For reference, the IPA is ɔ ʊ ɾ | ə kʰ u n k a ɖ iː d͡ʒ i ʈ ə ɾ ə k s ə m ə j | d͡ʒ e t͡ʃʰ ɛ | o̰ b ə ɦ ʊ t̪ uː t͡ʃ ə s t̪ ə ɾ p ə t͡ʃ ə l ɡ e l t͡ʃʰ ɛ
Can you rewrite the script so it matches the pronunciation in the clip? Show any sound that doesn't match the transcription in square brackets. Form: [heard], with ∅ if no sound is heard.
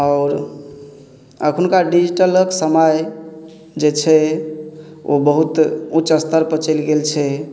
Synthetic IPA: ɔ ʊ ɾ | ə kʰ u n k a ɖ [i] d͡ʒ i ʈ ə [l] ə k s ə m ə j | d͡ʒ e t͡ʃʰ ɛ | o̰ b ə ɦ [u] t̪ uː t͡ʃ ə s t̪ ə ɾ p ə t͡ʃ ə l ɡ e l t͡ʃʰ ɛ